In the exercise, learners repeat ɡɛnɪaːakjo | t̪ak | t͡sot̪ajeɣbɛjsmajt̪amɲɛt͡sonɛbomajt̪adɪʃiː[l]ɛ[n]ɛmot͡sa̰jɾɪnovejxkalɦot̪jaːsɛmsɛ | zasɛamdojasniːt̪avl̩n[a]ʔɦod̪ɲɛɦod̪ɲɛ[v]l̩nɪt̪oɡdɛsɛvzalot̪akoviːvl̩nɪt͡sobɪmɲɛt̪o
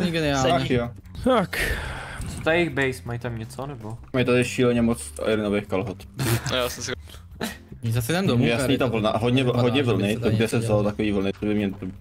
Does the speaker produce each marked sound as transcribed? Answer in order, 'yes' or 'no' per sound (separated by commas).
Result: yes, no, yes, yes